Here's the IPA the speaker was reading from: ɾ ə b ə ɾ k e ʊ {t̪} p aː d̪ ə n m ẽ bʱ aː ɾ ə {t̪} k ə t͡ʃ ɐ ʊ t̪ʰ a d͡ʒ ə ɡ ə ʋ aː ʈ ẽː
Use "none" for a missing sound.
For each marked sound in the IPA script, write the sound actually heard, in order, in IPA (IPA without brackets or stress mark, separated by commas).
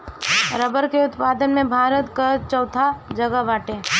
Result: t̪, t̪